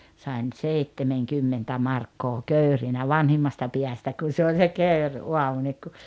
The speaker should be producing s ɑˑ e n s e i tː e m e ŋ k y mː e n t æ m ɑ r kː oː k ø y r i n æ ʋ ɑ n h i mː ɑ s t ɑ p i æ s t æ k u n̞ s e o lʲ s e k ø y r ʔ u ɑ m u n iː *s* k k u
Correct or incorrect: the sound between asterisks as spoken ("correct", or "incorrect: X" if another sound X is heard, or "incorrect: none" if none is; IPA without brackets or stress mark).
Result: incorrect: none